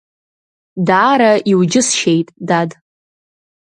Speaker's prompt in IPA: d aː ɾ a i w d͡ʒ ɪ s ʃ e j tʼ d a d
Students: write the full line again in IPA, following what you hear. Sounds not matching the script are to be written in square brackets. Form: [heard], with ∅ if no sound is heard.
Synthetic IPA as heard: d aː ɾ a i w d͡ʒ ɪ s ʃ e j tʼ d a d